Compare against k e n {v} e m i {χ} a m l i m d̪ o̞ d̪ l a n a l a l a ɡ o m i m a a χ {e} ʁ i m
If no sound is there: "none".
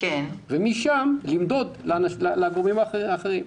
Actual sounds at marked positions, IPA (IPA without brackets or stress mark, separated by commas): v, ʃ, e